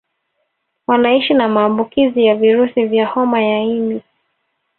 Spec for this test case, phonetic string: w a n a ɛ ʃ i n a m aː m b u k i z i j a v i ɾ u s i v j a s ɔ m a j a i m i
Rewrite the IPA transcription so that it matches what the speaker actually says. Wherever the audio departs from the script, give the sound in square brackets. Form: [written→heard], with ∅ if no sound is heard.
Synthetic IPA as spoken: w a n a [ɛ→i] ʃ i n a m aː m b u k i z i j a v i ɾ u s i v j a [s→h] ɔ m a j a i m i